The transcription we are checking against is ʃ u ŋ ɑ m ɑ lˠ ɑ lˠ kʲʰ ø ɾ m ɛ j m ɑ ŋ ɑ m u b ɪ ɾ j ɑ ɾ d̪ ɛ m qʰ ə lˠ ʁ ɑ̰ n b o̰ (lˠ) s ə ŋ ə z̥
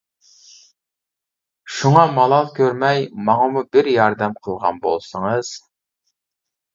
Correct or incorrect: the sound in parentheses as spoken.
correct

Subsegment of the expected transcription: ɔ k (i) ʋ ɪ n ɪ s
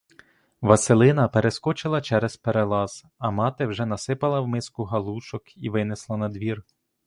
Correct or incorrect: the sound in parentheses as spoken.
correct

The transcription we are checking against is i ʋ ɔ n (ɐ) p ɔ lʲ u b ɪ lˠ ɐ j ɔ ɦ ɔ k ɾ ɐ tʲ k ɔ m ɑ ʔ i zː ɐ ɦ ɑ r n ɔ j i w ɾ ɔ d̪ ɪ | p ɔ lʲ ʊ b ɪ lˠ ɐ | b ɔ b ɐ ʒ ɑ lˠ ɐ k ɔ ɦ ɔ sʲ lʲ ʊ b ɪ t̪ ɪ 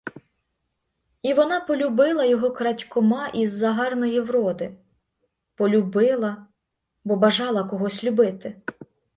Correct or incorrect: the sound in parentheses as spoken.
incorrect: ɑ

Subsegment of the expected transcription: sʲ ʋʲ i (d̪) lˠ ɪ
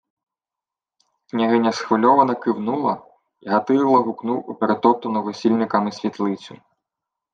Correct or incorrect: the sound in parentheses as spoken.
incorrect: t̪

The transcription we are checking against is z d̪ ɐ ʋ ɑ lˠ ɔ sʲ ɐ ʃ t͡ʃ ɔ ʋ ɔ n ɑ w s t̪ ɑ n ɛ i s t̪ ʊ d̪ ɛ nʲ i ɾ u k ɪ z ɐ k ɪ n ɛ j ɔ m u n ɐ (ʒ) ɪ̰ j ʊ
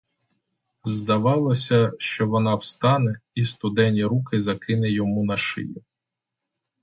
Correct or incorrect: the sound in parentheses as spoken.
incorrect: ʃ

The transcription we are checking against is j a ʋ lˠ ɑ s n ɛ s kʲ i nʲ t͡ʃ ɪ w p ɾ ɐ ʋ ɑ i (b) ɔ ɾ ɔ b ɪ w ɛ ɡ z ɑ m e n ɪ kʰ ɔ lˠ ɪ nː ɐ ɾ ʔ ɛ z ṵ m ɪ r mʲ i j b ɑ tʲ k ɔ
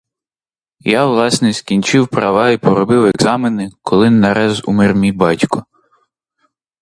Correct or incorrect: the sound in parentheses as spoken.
incorrect: p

